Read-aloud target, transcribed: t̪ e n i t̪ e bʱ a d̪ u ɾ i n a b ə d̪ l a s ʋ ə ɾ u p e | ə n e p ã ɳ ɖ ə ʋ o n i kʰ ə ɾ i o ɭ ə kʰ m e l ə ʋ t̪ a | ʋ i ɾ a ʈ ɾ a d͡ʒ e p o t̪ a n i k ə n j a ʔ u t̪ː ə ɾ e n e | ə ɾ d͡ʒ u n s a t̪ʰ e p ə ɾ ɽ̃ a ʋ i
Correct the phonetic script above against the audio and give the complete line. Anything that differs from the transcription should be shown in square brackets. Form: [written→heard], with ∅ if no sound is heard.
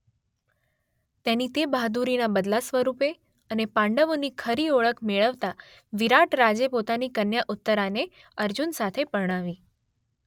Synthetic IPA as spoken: t̪ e n i t̪ e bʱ a d̪ u ɾ i n a b ə d̪ l a s ʋ ə ɾ u p e | ə n e p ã ɳ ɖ ə ʋ o n i kʰ ə ɾ i o ɭ ə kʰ m e [l→ɭ] ə ʋ t̪ a | ʋ i ɾ a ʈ ɾ a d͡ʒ e p o t̪ a n i k ə n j a ʔ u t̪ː ə ɾ [e→a] n e | ə ɾ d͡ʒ u n s a t̪ʰ e p ə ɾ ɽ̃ a ʋ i